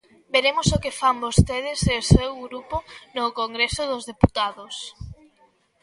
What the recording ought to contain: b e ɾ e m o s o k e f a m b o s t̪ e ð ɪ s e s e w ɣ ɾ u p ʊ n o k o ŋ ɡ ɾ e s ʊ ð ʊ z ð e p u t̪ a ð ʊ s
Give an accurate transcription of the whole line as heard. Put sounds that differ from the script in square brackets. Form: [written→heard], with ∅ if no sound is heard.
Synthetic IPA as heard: b e ɾ e m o s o k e f a m b o s t̪ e ð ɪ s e s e w ɣ ɾ u p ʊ n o k o ŋ ɡ ɾ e s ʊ ð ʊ z ð e p u t̪ a ð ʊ s